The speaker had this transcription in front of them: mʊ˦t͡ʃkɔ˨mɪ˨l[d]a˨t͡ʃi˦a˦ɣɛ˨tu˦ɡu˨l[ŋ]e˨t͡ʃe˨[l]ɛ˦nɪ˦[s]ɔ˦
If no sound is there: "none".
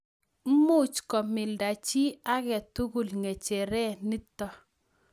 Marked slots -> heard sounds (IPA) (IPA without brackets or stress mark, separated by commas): d, ŋ, ɾ, t